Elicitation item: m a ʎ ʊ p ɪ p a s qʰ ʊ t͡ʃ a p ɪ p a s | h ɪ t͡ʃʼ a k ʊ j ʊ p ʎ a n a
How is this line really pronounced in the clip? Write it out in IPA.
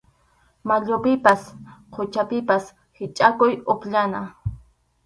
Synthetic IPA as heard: m a ʎ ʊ p ɪ p a s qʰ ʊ t͡ʃ a p ɪ p a s | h ɪ t͡ʃʼ a k ʊ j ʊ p ʎ a n a

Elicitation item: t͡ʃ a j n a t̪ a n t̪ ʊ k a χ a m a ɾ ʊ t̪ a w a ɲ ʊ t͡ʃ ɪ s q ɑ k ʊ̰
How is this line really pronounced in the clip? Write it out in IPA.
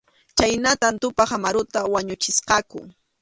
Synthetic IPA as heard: t͡ʃ a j n a t̪ a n t̪ ʊ p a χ a m a ɾ ʊ t̪ a w a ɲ ʊ t͡ʃ ɪ s q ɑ k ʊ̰

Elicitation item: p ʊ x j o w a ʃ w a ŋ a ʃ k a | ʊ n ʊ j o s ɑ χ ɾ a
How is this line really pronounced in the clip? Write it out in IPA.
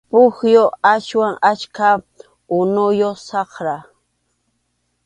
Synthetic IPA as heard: p ʊ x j o a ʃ w a ŋ a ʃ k a | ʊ n ʊ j o s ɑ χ ɾ a

